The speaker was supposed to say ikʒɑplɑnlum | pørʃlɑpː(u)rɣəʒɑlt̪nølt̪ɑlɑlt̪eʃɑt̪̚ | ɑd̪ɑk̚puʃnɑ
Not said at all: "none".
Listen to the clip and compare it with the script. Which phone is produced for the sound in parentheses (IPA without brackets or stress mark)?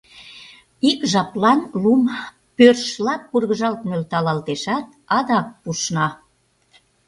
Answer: u